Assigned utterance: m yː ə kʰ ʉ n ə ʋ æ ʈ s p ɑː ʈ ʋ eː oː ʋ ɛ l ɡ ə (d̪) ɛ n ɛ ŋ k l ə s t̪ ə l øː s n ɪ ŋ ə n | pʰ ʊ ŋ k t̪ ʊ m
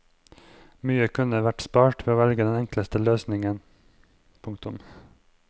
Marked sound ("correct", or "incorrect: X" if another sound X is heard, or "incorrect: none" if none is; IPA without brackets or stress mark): correct